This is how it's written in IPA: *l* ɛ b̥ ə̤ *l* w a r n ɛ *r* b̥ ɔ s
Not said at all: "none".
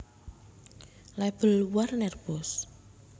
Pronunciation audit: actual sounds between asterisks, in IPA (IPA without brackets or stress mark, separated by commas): l, l, r